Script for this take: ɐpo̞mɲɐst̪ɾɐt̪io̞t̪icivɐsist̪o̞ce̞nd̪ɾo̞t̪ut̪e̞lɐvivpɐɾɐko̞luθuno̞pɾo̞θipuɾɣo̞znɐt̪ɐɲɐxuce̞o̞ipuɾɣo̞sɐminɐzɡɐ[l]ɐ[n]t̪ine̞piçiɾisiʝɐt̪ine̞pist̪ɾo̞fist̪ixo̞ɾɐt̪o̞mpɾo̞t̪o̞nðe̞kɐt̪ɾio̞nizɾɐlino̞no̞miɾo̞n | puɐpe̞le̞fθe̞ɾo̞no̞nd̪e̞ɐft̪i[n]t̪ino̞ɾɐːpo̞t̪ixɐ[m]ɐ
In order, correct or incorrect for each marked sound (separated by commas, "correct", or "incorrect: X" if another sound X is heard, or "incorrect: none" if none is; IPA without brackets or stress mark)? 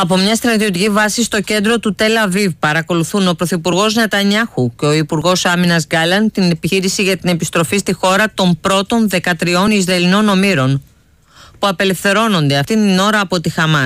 correct, correct, correct, correct